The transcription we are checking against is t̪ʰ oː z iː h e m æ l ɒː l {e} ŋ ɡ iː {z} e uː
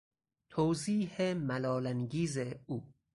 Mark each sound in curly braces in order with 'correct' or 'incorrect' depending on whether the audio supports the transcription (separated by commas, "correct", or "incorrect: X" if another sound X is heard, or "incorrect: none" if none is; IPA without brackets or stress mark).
incorrect: æ, correct